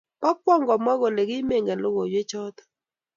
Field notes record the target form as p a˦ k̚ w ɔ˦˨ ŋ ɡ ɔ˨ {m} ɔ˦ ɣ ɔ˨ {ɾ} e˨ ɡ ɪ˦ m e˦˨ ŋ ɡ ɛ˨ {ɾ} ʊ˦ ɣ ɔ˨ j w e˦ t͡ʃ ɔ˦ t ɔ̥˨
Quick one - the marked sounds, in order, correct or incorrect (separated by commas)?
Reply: correct, incorrect, incorrect